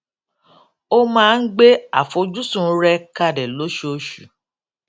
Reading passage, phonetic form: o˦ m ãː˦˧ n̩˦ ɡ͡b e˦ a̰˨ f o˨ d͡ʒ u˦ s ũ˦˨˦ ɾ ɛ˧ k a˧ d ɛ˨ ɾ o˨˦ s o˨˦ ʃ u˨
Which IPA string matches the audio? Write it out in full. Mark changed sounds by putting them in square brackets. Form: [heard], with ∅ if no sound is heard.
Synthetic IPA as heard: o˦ m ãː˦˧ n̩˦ ɡ͡b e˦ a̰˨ f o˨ d͡ʒ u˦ s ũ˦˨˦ ɾ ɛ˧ k a˧ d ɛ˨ [l] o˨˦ [ʃ] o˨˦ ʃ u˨